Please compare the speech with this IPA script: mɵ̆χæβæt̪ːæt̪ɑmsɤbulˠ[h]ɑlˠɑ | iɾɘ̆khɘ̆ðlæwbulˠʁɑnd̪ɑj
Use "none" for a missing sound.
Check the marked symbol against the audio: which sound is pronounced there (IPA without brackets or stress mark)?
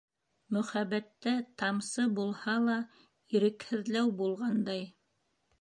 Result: h